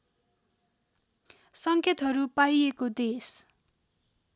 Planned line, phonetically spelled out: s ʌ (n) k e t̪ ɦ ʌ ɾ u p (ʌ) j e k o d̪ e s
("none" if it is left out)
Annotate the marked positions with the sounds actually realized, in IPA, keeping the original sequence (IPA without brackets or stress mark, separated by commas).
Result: ŋ, a